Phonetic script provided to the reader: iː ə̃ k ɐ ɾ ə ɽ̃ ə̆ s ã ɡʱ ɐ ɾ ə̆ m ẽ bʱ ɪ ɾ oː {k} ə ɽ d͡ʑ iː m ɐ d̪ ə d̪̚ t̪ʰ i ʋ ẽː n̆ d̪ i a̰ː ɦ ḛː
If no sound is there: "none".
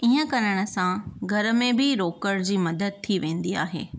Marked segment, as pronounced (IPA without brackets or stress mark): k